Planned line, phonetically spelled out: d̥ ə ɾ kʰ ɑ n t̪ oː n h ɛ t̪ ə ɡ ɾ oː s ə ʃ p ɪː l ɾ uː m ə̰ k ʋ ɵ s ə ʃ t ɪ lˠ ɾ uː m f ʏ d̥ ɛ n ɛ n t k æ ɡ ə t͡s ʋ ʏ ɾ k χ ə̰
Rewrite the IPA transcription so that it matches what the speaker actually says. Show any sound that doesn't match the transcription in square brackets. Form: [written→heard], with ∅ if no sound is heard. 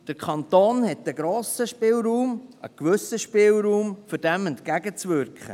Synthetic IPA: d̥ ə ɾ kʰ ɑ n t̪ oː n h ɛ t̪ ə ɡ ɾ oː s ə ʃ p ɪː l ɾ uː m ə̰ k ʋ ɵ s ə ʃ [t→p] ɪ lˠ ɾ uː m f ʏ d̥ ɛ [n→m] ɛ n t k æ ɡ ə t͡s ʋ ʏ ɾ k χ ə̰